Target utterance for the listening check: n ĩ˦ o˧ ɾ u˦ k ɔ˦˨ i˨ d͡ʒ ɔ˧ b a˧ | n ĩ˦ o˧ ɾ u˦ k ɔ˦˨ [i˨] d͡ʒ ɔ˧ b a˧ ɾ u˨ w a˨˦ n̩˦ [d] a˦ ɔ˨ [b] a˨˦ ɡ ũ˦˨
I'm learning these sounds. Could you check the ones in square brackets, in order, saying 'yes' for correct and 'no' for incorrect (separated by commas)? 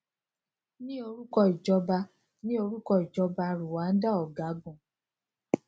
yes, yes, no